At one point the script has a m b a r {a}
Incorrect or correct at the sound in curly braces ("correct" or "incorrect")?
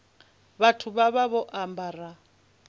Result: correct